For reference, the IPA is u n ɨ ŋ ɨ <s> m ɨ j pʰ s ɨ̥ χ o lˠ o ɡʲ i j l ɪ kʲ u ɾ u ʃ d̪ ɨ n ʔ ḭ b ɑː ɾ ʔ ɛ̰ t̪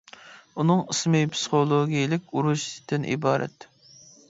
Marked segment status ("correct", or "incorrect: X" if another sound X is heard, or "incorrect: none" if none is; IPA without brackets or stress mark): correct